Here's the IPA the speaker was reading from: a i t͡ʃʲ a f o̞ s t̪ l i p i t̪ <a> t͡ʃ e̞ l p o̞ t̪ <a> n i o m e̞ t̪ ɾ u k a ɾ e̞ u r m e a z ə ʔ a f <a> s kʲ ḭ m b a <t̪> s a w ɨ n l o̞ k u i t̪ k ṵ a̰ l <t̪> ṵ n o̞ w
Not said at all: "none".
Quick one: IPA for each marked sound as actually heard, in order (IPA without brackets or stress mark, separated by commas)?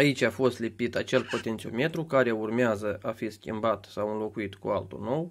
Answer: a, e, i, t̪, t̪